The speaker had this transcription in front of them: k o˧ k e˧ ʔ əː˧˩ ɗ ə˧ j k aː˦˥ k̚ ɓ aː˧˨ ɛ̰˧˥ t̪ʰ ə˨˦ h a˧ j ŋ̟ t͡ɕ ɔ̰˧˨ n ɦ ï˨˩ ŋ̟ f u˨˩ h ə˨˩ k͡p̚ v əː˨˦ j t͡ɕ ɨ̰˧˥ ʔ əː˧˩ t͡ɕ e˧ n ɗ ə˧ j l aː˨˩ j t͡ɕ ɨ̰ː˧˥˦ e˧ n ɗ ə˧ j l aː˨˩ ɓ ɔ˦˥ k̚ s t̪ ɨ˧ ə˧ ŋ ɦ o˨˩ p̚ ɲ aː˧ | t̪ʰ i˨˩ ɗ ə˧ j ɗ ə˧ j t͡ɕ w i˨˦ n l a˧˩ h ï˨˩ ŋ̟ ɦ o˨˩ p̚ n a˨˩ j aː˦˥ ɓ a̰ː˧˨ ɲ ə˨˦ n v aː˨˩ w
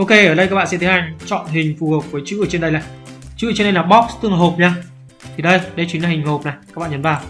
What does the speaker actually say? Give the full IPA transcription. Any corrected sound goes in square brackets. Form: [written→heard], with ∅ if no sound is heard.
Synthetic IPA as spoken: [k→ʔ] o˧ k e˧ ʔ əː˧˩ ɗ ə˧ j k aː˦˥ k̚ ɓ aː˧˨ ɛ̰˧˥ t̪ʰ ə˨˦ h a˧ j ŋ̟ t͡ɕ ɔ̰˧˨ n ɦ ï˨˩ ŋ̟ f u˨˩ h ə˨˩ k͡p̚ v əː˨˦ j t͡ɕ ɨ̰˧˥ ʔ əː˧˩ t͡ɕ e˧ n ɗ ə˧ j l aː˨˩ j t͡ɕ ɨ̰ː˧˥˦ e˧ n ɗ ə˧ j l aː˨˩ ɓ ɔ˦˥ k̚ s t̪ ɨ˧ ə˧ ŋ ɦ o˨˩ p̚ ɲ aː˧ | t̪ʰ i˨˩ ɗ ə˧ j ɗ ə˧ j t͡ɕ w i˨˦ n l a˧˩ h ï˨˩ ŋ̟ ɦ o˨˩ p̚ n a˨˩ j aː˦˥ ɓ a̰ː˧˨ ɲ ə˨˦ n v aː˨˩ w

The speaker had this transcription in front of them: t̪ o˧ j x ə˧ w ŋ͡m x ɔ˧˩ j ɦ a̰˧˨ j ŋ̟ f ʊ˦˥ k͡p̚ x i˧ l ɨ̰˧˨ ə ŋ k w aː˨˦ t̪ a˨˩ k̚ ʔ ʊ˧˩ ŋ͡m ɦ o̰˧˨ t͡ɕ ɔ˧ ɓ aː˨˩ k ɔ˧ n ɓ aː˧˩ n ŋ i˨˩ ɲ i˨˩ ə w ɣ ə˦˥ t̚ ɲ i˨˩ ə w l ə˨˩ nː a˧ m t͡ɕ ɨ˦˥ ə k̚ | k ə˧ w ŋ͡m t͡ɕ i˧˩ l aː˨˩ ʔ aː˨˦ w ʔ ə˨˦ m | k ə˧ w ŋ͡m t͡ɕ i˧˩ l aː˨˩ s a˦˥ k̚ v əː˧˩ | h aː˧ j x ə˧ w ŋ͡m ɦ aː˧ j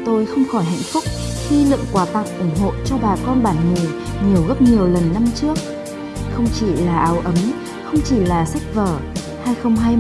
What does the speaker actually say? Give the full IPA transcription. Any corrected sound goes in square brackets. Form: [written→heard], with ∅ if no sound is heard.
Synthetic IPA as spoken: t̪ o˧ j x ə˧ w ŋ͡m x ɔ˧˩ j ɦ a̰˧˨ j ŋ̟ f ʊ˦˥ k͡p̚ x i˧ l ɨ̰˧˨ ə ŋ k w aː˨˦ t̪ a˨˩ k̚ ʔ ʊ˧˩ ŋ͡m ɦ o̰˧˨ t͡ɕ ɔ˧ ɓ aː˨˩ k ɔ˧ n ɓ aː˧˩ n ŋ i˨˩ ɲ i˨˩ ə w ɣ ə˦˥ [t̚→p̚] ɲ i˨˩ ə w l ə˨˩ nː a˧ m t͡ɕ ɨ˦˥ ə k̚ | [k→x] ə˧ w ŋ͡m t͡ɕ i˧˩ l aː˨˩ ʔ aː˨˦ w ʔ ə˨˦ m | [k→x] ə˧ w ŋ͡m t͡ɕ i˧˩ l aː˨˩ s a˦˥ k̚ v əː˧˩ | h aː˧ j x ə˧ w ŋ͡m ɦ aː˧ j

